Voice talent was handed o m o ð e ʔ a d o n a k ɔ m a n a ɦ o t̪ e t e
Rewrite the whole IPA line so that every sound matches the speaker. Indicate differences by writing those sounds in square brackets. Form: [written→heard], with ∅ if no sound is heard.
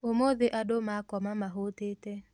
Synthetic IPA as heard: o m o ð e ʔ a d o [n→m] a k ɔ m a [n→m] a ɦ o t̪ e t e